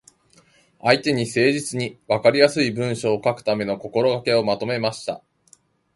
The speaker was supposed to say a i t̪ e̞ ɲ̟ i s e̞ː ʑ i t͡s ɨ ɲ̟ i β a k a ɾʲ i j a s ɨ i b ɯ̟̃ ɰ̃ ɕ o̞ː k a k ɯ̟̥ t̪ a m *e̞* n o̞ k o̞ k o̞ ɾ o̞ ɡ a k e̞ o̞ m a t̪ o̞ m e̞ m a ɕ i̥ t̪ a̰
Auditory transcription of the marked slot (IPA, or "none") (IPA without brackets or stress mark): e̞